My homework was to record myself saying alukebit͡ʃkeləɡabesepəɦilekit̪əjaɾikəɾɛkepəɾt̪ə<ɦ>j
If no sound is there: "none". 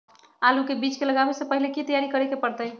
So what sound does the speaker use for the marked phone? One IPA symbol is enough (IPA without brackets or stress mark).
none